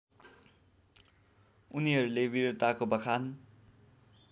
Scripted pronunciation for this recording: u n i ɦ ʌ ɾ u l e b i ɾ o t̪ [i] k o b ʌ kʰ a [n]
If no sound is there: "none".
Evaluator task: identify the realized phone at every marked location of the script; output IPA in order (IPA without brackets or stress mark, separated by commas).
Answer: a, n